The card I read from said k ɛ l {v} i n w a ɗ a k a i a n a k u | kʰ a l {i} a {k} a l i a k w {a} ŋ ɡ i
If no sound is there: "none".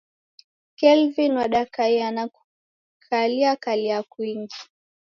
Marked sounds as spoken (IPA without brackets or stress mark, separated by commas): v, i, k, i